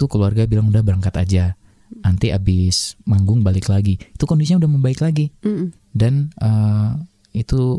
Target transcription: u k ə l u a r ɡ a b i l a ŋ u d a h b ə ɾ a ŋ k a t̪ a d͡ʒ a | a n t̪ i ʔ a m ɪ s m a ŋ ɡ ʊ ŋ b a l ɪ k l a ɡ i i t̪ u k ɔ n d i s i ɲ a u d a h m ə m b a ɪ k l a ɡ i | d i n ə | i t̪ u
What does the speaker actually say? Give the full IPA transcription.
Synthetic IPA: u k ə l u a r ɡ a b i l a ŋ u d a h b ə ɾ a ŋ k a t̪ a d͡ʒ a | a n t̪ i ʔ a b ɪ s m a ŋ ɡ ʊ ŋ b a l ɪ k l a ɡ i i t̪ u k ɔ n d i s i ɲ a u d a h m ə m b a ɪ k l a ɡ i | d a n ə | i t̪ u